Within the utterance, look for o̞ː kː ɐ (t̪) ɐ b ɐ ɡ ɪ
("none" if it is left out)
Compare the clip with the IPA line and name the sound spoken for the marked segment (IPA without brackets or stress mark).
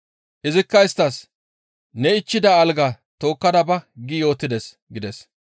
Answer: d̪